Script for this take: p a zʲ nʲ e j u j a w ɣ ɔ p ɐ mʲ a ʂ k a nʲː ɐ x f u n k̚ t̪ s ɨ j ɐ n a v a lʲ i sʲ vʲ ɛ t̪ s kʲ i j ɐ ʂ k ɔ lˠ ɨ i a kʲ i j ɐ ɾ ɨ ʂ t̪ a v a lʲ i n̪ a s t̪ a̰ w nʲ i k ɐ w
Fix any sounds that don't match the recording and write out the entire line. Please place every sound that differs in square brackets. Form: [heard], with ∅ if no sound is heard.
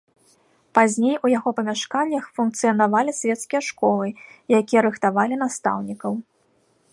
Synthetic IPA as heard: p a zʲ nʲ e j u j a [∅] ɣ ɔ p ɐ mʲ a ʂ k a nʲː ɐ x f u n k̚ t̪ s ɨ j ɐ n a v a lʲ i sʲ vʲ ɛ t̪ s kʲ i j ɐ ʂ k ɔ lˠ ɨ [j] a kʲ i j ɐ ɾ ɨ [x] t̪ a v a lʲ i n̪ a s t̪ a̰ w nʲ i k ɐ w